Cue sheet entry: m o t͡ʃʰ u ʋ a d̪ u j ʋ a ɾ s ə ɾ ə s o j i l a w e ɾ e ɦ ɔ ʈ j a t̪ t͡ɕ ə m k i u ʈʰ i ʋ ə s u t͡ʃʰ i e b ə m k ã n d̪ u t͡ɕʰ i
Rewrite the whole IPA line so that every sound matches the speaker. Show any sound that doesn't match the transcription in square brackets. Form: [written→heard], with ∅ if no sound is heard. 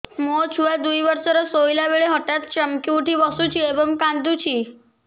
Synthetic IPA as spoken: m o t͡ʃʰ u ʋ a d̪ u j ʋ [a→ə] ɾ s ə ɾ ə s o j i l a [w→ʋ] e [ɾ→ɭ] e ɦ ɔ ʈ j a t̪ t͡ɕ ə m k i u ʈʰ i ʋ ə s u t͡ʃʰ i e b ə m k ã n d̪ u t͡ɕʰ i